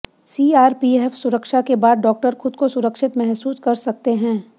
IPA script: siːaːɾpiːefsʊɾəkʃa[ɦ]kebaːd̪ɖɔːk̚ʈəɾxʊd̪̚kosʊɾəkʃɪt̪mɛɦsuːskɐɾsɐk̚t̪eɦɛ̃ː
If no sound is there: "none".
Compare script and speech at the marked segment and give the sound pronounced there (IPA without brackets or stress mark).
none